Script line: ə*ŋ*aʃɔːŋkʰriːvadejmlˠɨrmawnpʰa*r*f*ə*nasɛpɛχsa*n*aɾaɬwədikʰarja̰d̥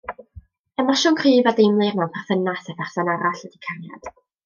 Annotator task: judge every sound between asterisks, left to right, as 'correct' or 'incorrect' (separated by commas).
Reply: incorrect, correct, correct, correct